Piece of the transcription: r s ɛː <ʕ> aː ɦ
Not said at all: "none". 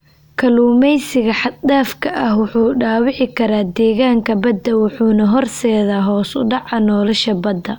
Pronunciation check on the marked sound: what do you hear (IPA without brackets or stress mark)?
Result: ð